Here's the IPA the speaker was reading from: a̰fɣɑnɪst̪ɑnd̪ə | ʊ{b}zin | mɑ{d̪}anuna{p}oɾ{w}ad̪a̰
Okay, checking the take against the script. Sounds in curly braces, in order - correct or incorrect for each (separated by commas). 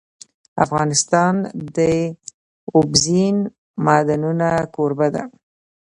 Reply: correct, correct, incorrect, incorrect